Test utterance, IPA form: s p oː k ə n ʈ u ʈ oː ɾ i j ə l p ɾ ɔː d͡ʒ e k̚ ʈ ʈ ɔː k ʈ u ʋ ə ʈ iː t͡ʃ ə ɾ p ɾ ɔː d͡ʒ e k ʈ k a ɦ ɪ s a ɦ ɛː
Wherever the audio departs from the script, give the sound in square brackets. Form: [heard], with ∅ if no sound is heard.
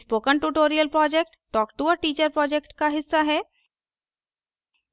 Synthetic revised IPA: s p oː k ə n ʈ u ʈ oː ɾ i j ə l p ɾ ɔː d͡ʒ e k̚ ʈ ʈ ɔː k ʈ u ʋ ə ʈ iː t͡ʃ ə ɾ p ɾ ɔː d͡ʒ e k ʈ k a ɦ ɪ [sː] a ɦ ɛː